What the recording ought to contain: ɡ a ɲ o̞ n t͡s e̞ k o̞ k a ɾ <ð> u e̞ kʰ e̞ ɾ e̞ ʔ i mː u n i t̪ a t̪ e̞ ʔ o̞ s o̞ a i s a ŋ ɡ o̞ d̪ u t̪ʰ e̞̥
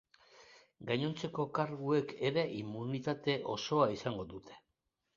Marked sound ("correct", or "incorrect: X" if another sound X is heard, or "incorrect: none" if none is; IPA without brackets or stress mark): incorrect: ɣ